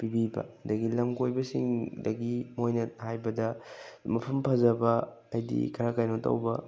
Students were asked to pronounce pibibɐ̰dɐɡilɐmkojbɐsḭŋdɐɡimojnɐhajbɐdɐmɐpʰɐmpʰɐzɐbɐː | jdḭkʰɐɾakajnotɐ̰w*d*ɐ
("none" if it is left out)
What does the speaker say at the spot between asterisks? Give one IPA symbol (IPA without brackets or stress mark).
b